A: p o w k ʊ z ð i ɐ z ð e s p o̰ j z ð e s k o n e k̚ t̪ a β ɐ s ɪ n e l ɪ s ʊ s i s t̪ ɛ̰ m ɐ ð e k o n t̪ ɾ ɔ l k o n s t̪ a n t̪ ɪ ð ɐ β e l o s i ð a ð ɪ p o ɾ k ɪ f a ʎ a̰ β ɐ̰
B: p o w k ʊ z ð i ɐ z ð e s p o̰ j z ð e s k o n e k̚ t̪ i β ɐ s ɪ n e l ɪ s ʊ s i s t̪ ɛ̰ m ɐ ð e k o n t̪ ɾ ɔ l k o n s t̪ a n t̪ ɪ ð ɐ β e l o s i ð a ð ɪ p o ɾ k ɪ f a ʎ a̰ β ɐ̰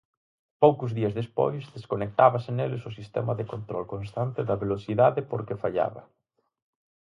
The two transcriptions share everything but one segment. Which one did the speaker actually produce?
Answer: A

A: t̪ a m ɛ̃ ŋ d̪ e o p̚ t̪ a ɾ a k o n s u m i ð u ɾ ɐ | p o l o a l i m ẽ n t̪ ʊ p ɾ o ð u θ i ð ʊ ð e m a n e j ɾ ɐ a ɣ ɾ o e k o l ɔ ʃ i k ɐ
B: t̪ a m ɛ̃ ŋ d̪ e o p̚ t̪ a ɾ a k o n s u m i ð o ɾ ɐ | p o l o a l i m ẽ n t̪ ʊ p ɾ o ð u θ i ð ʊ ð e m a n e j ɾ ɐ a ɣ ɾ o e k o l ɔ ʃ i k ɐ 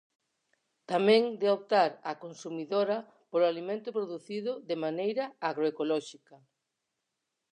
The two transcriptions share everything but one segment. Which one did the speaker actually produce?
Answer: B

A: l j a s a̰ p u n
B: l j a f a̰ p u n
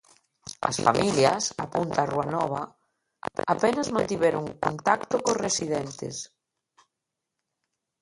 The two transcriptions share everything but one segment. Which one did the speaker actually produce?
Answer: A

